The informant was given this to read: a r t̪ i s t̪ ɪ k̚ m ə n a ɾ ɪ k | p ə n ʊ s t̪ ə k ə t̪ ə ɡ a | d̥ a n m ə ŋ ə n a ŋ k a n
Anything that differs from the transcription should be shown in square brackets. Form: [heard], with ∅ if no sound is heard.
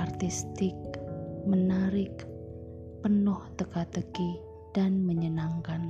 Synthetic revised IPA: a r t̪ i s t̪ ɪ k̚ m ə n a ɾ ɪ k | p ə n ʊ [h] t̪ ə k [a] t̪ ə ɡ [i] | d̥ a n m ə [ɲ] ə n a ŋ k a n